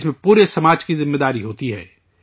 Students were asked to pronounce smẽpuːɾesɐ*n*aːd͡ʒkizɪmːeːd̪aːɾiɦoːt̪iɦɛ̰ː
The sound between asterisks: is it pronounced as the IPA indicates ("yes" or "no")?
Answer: no